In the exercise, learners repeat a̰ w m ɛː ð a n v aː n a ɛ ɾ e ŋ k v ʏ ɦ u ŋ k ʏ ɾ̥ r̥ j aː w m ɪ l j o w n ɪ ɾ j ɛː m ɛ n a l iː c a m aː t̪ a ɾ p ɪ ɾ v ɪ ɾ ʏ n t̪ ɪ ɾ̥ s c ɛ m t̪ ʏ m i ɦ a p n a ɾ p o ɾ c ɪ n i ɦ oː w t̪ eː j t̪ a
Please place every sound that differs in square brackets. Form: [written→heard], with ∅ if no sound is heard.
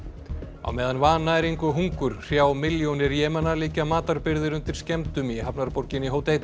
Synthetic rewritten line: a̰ w m ɛː ð a n v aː n a ɛ ɾ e ŋ k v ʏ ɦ u ŋ k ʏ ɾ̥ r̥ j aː w m ɪ l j o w n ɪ ɾ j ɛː m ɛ n a l iː c a m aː t̪ a ɾ p ɪ ɾ [v→ð] ɪ ɾ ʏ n t̪ ɪ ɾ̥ s c ɛ m t̪ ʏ m i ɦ a p n a ɾ p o ɾ c ɪ n i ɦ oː w t̪ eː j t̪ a